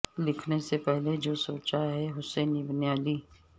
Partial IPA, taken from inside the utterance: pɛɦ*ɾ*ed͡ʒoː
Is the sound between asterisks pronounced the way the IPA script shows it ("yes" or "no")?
no